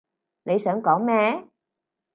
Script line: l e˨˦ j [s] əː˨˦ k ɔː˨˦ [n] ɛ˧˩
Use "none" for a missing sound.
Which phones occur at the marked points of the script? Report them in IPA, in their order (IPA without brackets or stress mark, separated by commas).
s, m